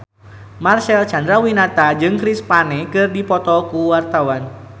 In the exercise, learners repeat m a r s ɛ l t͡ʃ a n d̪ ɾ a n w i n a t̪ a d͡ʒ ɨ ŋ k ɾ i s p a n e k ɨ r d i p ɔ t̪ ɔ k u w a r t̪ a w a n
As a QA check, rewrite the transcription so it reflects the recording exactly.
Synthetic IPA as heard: m a r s ɛ l t͡ʃ a n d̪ ɾ a w i n a t̪ a d͡ʒ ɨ ŋ k ɾ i s p a n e k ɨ r d i p ɔ t̪ ɔ k u w a r t̪ a w a n